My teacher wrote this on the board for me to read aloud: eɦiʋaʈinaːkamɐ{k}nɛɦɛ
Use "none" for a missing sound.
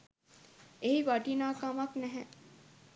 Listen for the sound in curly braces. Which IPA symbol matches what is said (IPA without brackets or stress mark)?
k